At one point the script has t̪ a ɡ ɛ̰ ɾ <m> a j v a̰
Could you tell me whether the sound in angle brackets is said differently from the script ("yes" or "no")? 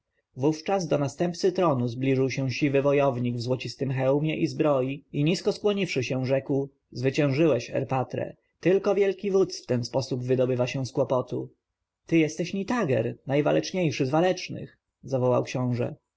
yes